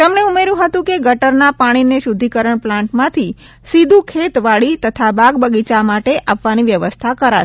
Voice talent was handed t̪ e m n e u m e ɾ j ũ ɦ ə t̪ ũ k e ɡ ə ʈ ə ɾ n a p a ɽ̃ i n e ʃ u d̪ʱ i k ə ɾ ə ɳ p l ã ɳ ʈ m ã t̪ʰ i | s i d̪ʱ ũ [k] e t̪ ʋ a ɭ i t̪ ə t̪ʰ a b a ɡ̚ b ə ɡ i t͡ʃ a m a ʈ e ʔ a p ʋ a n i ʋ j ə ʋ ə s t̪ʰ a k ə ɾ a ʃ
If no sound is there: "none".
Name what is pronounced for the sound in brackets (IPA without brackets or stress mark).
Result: kʰ